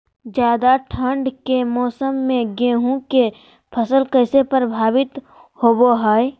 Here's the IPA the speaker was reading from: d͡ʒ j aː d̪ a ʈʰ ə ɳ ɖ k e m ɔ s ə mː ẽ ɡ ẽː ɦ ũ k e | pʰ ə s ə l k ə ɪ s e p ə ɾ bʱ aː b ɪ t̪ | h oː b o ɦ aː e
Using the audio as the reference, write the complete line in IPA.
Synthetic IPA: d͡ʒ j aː d̪ a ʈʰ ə ɳ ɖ k e m ɔː s ə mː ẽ ɡ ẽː ɦ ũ k e | pʰ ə s ə l k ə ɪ s e p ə ɾ bʱ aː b ɪ t̪ | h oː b o ɦ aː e